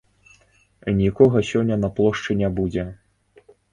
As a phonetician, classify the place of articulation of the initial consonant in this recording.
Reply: alveolar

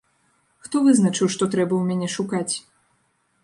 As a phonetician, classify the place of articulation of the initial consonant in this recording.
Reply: velar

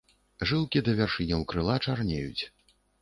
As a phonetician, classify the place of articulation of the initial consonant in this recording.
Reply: retroflex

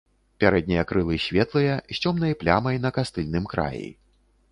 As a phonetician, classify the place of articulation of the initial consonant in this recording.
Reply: labial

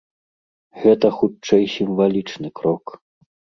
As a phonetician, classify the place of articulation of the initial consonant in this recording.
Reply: velar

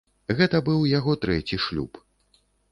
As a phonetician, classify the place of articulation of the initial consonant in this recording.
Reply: velar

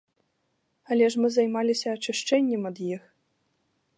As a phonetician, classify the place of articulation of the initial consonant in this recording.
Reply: alveolar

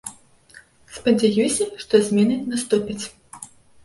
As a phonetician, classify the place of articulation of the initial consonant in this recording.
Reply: alveolar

